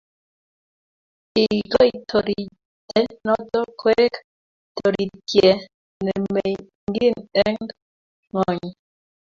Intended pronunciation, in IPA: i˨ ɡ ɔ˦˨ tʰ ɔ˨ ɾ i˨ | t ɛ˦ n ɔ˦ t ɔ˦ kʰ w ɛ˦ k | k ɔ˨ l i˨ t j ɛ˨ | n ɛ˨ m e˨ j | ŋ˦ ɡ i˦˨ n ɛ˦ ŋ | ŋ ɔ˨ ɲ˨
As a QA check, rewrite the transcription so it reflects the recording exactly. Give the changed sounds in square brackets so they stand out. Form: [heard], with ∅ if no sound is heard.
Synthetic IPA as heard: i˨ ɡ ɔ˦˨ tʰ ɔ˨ ɾ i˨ | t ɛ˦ n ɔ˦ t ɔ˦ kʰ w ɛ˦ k | [t] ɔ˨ [ɾ] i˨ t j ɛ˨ | n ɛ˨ m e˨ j | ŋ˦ ɡ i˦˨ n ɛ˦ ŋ | ŋ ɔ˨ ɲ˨